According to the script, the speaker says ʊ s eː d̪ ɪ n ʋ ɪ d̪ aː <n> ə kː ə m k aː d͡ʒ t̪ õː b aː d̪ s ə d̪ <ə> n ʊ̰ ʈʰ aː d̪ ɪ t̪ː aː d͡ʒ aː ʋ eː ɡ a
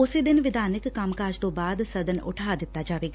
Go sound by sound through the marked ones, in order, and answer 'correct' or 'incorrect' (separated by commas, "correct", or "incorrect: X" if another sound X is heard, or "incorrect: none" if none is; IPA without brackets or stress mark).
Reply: correct, correct